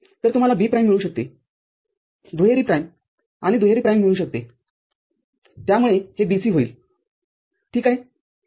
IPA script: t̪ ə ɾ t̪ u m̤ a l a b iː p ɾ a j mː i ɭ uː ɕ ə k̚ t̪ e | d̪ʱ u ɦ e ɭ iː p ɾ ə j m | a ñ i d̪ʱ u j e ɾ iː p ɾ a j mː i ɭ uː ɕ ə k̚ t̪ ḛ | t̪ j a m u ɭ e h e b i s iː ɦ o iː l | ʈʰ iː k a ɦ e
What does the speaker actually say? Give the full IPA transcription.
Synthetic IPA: t̪ ə ɾ t̪ u m̤ a l a b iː p ɾ a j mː i ɭ uː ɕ ə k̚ t̪ e | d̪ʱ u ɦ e ɾ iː p ɾ a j m | a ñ i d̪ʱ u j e ɾ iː p ɾ a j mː i ɭ uː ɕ ə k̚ t̪ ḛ | t̪ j a m u ɭ e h e b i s iː ɦ o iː l | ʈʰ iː k a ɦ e